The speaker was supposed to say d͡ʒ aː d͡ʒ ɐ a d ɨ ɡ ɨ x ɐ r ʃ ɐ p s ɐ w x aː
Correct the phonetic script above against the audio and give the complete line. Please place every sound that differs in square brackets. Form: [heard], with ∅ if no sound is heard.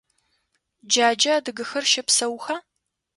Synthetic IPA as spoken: d͡ʒ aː d͡ʒ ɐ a d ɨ ɡ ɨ x ɐ r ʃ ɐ p s ɐ w x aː